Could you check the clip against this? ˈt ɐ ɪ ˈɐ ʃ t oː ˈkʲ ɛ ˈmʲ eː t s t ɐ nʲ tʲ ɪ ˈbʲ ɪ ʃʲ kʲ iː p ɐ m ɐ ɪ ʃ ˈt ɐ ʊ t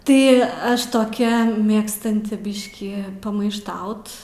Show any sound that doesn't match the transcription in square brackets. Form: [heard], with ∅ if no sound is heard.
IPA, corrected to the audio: ˈt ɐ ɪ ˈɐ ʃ t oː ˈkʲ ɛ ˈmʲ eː [k] s t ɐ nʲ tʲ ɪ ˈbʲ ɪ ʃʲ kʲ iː p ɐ m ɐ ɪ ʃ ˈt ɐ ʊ t